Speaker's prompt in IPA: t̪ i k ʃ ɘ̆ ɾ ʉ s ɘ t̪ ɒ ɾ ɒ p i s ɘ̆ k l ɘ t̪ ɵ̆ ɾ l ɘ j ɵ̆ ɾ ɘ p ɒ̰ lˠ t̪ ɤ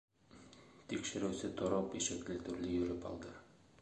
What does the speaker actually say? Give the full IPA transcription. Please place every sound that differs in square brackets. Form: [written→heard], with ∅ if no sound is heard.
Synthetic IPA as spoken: t̪ i k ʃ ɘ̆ ɾ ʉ s ɘ t̪ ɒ ɾ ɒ p i [s→ʃ] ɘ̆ k l ɘ t̪ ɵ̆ ɾ l ɘ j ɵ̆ ɾ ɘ p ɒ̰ lˠ [t̪→d̪] ɤ